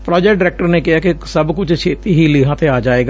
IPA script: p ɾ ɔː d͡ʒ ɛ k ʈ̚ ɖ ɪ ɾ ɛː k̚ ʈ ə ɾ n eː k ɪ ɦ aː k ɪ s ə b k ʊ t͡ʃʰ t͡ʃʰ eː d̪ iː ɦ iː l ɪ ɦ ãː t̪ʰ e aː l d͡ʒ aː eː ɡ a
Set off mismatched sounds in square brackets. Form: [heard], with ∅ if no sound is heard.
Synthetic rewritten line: p ɾ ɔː d͡ʒ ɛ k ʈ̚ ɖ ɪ ɾ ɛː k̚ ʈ ə ɾ n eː k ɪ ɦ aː k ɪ s ə b k ʊ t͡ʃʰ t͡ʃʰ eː [t̪] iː ɦ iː l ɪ ɦ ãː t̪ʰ e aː [∅] d͡ʒ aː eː ɡ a